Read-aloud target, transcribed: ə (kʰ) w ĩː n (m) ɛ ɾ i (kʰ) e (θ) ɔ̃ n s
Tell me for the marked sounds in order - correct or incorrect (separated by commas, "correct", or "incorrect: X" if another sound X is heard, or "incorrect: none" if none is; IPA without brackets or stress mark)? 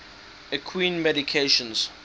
correct, correct, correct, incorrect: ʃ